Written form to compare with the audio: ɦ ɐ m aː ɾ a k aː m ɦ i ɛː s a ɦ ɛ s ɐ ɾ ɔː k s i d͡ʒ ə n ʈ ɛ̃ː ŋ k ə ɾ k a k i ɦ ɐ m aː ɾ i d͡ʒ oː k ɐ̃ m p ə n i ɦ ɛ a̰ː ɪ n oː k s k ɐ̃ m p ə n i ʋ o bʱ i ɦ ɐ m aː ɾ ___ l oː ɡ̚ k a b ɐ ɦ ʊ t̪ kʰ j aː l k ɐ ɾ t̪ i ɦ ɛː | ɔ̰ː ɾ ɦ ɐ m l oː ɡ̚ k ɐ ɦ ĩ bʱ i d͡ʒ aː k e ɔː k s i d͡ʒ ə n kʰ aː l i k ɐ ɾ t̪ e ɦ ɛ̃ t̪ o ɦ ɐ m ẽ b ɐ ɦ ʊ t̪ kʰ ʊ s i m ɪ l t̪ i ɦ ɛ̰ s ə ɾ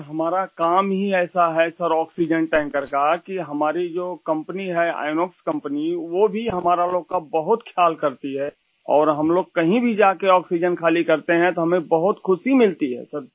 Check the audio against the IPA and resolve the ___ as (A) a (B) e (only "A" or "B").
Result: A